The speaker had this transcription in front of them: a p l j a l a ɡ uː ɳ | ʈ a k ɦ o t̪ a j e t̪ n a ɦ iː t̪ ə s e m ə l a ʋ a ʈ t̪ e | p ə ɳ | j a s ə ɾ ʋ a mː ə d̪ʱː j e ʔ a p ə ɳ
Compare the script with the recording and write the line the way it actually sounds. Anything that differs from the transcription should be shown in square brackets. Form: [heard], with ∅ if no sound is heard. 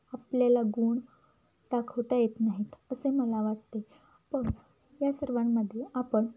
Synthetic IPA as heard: a p l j a l a ɡ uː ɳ | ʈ a k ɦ o t̪ a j e t̪ n a ɦ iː t̪ ə s e m ə l a ʋ a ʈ t̪ e | p ə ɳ | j a s ə ɾ ʋ a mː ə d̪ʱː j e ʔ a p ə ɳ